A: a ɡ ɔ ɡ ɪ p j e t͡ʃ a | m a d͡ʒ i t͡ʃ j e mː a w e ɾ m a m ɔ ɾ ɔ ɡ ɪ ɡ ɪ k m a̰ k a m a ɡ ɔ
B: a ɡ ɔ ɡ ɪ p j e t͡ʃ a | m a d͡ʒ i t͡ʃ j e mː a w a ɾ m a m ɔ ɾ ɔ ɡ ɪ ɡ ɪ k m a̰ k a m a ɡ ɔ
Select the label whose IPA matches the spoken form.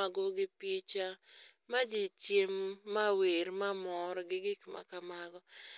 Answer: A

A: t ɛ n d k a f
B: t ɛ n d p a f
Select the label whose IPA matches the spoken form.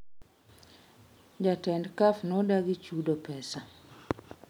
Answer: A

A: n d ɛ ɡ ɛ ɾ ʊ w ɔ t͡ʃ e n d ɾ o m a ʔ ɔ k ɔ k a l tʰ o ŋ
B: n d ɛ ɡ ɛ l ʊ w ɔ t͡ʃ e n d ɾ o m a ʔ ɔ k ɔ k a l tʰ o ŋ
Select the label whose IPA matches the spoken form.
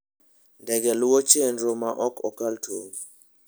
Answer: B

